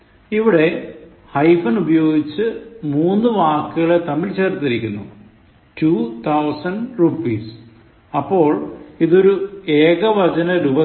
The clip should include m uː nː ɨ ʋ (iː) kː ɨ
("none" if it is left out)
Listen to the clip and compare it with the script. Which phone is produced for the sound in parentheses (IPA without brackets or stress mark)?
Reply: aː